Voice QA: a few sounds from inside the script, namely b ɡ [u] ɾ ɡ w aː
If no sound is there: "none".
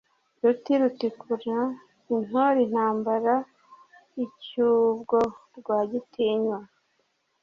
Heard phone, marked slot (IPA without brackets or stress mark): o